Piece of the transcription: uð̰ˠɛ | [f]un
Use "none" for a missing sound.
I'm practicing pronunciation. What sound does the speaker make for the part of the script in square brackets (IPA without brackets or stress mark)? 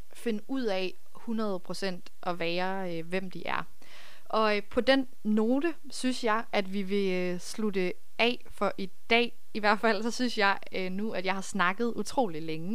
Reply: h